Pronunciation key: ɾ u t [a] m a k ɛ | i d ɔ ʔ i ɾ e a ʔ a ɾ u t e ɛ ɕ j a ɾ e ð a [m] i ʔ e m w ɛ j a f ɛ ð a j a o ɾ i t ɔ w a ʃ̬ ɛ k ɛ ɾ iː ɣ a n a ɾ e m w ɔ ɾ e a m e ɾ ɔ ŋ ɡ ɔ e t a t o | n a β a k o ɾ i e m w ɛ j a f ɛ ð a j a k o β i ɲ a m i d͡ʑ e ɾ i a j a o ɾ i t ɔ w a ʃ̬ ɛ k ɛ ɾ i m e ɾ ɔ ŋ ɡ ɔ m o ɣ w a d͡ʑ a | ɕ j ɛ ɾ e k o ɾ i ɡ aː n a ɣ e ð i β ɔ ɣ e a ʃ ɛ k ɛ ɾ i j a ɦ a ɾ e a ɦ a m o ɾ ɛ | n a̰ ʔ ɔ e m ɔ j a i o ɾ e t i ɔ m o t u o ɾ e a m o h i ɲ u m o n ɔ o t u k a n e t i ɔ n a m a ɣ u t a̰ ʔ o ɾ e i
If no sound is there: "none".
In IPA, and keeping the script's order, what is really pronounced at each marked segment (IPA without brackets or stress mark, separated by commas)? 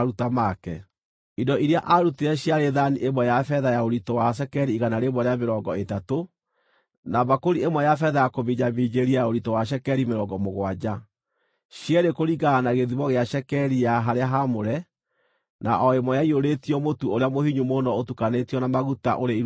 a, n